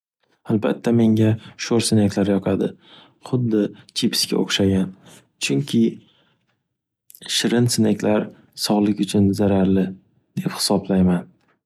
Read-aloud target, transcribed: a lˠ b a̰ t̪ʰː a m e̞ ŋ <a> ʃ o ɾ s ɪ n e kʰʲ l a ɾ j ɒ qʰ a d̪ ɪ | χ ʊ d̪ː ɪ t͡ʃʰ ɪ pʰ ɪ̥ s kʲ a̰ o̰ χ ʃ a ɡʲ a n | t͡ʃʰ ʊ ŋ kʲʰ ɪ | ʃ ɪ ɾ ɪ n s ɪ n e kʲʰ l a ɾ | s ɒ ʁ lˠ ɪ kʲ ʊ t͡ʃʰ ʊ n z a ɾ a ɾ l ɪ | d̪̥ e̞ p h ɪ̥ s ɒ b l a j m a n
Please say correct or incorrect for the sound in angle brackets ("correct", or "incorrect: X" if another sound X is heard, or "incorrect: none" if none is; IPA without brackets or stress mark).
correct